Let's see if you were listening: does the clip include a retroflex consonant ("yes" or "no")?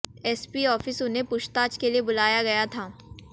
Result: no